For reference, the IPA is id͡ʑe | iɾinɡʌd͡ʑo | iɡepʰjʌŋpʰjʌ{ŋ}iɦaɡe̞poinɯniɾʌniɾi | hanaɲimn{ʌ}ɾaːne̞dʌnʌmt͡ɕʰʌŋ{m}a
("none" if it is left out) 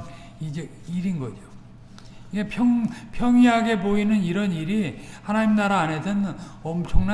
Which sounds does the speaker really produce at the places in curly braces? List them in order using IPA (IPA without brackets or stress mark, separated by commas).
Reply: ŋ, a, n